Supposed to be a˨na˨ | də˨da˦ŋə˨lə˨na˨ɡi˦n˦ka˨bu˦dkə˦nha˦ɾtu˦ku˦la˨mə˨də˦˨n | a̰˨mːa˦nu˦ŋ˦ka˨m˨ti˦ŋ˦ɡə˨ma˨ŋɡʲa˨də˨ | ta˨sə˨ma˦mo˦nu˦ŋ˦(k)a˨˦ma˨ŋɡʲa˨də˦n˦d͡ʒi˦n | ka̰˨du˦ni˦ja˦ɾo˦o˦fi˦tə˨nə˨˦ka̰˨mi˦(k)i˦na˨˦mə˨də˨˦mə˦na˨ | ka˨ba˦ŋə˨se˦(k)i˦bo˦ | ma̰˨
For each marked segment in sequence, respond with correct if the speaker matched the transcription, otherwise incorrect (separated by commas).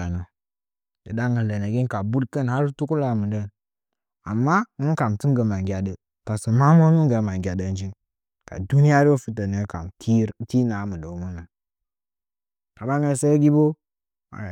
incorrect, incorrect, incorrect